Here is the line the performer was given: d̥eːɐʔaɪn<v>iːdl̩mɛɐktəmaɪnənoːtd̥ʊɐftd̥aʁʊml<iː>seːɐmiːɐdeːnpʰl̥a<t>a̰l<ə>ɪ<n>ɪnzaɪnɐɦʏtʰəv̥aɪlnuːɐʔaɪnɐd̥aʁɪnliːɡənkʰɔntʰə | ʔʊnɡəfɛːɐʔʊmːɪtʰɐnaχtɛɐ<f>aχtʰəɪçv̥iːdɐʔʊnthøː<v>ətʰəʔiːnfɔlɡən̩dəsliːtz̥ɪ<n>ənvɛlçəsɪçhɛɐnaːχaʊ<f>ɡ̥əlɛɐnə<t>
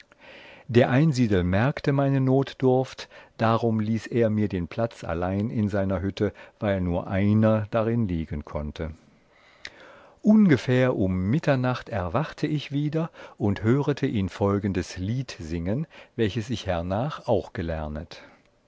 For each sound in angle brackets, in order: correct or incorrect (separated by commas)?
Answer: incorrect, correct, incorrect, incorrect, correct, incorrect, incorrect, incorrect, incorrect, correct